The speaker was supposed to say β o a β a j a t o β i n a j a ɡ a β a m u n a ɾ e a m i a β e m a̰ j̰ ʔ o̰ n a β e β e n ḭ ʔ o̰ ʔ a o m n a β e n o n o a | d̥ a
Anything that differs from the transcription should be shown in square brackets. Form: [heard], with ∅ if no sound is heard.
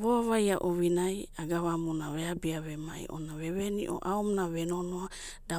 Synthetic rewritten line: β o a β a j a [ʔ] o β i n a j a ɡ a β a m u n a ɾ e a [b] i a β e m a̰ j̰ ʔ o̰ n a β e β e n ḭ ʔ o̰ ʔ a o m n a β e n o n o a | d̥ a